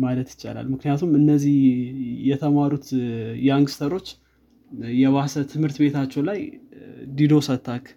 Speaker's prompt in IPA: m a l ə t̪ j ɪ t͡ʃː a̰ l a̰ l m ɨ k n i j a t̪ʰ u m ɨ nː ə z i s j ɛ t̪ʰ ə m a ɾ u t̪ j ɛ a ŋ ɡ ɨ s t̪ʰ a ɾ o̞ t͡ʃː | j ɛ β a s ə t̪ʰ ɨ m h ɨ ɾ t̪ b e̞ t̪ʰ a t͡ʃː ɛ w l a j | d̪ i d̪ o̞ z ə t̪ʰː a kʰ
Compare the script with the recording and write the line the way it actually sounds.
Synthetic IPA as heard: m a l ə t̪ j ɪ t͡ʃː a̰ l a̰ l m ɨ k n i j a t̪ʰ u m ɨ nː ə z i h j ɛ t̪ʰ ə m a ɾ u t̪ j ɛ a ŋ ɡ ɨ s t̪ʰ ə ɾ o̞ t͡ʃː | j ɛ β a s ə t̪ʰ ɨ m h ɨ ɾ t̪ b e̞ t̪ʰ a t͡ʃː ɛ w l a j | d̪ i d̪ o̞ s ə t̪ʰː a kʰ